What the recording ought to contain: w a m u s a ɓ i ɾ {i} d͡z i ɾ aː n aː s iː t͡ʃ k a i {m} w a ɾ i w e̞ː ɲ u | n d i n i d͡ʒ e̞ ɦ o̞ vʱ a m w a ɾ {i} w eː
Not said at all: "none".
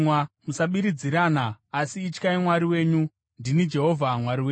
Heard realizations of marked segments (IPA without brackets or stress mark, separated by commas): i, m, i